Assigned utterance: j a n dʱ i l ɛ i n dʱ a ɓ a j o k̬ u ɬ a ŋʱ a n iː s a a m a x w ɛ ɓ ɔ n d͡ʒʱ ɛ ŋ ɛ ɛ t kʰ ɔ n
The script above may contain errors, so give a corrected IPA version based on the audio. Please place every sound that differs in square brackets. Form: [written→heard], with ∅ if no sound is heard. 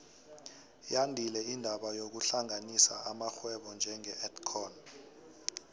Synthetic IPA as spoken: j a n dʱ i l ɛ i n dʱ a ɓ a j o k̬ u ɬ a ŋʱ a n [iː→i] s a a m a x w ɛ ɓ ɔ n d͡ʒʱ ɛ ŋ ɛ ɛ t kʰ ɔ n

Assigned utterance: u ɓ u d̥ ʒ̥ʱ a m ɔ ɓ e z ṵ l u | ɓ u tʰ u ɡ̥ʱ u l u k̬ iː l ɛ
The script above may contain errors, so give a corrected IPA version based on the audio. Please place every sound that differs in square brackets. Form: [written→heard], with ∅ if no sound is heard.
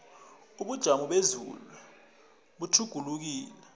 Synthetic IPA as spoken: u ɓ u d̥ ʒ̥ʱ a m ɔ ɓ e z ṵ l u | ɓ u tʰ u ɡ̥ʱ u l u k̬ iː l ɛ

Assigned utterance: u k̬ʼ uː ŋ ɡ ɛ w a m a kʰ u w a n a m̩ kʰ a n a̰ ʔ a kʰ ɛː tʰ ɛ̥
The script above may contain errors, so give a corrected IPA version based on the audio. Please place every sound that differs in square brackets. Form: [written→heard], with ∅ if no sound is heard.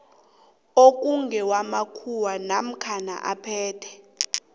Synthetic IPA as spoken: [u→o] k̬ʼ [uː→u] ŋ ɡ ɛ w a m a kʰ u w a n a m̩ kʰ a n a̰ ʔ a [kʰ→pʰ] ɛː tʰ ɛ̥

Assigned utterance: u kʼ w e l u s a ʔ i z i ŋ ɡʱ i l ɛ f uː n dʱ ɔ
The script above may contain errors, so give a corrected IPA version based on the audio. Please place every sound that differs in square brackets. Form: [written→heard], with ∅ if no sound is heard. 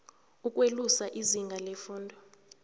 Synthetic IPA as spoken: u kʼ w e l u s a ʔ i z i ŋ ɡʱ [i→a] l ɛ f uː n dʱ ɔ

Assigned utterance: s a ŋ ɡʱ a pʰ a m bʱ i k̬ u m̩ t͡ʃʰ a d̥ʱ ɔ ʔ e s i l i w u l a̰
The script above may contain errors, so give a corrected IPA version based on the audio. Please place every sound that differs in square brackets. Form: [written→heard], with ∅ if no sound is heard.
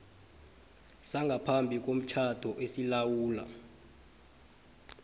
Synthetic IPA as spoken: s a ŋ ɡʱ a pʰ a m bʱ i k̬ [u→o] m̩ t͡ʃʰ a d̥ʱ ɔ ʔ e s i l [i→a] w [u→uː] l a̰

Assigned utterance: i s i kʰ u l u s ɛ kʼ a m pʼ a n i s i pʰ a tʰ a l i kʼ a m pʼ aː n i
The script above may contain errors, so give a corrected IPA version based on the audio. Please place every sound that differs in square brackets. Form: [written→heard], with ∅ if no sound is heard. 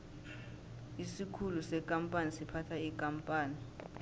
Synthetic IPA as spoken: i s i kʰ u l u s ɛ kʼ a m pʼ a n i s i pʰ a tʰ a [l→∅] i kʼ a m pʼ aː n i

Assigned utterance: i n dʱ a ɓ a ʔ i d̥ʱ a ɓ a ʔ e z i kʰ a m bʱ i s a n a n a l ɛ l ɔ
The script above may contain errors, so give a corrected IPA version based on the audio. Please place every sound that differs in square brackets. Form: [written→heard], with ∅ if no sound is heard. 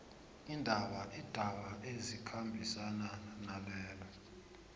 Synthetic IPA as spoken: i n dʱ a ɓ a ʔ i d̥ʱ a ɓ a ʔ e z i kʰ a m bʱ i s a n a n a l [ɛ→ɛː] l ɔ

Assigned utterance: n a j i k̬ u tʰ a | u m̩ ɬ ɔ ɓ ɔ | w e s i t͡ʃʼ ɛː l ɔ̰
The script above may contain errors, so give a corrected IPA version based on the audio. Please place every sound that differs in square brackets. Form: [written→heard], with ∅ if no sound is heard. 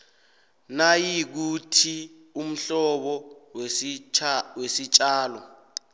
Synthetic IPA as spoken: n a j i k̬ u tʰ [a→i] | u m̩ ɬ ɔ ɓ ɔ | w e s i t͡ʃʼ [ɛː→aː] l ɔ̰

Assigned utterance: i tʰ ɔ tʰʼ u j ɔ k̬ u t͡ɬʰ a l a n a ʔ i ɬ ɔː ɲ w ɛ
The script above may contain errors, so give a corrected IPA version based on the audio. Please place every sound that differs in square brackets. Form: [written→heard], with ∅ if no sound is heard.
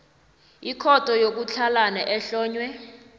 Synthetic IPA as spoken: i [tʰ→kʰ] ɔ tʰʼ [u→ɔ] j [ɔ→o] k̬ u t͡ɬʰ a l a n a ʔ [i→ɛ] ɬ ɔː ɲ w ɛ

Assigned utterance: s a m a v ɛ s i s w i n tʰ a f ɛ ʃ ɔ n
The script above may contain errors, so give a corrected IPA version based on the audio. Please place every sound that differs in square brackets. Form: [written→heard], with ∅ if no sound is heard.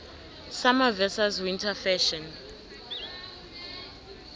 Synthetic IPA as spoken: s a m a v ɛ s [i→a] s w i n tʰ a f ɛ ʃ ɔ n

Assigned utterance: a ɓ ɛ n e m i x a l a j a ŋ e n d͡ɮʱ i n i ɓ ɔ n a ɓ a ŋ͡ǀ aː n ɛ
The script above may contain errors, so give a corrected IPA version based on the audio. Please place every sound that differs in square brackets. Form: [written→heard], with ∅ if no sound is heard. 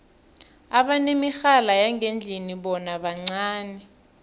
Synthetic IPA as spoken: a ɓ [ɛ→a] n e m i x a l a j a ŋ e n d͡ɮʱ i n i ɓ ɔ n a ɓ a ŋ͡ǀ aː n ɛ

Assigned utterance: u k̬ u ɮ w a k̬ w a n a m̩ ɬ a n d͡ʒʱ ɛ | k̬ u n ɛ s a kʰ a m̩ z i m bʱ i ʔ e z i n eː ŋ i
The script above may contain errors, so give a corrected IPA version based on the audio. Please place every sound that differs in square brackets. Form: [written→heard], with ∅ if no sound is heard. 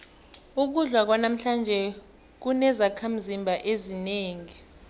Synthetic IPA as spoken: u k̬ u ɮ w a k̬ w a n a m̩ ɬ a n d͡ʒʱ ɛ | k̬ u n ɛ [s→z] a kʰ a m̩ z i m bʱ [i→a] ʔ e z i n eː ŋ i

